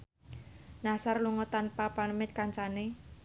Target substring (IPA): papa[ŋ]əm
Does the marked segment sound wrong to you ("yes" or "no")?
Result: yes